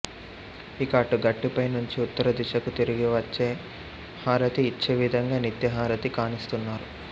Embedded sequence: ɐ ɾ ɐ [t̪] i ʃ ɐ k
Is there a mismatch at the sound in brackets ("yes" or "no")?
yes